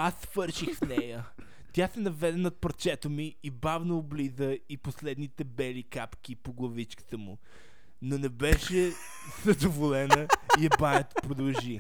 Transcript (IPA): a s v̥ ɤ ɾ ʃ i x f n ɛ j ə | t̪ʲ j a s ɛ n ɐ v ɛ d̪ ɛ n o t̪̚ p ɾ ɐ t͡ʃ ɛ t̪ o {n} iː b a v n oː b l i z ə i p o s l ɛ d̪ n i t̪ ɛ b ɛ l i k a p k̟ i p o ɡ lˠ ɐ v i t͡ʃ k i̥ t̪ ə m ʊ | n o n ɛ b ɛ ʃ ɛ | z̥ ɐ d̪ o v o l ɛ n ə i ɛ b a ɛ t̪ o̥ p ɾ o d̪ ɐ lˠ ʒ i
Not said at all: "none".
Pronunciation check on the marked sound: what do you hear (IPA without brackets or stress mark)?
m